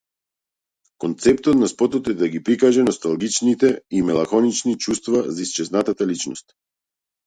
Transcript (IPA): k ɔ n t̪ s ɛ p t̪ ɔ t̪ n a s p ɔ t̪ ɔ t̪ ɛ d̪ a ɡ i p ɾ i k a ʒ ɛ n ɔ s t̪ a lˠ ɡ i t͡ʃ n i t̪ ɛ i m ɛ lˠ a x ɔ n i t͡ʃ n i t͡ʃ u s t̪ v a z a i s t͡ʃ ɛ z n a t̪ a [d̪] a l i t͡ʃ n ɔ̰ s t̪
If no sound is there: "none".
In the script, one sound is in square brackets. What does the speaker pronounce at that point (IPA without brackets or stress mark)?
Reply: t̪